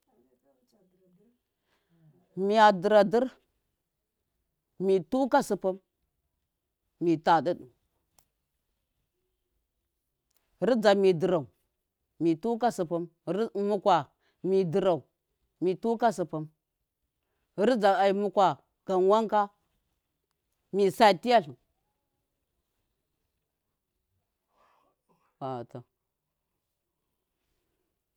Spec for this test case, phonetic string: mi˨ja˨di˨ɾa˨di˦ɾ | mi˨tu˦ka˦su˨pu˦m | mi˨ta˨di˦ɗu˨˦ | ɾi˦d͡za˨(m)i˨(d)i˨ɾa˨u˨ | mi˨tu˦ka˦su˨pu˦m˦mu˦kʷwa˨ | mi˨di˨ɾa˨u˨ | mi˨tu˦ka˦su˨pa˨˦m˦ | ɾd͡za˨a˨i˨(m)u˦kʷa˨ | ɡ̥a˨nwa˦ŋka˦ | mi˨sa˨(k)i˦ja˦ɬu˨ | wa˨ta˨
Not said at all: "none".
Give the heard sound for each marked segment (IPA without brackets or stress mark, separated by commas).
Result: m, d, m, t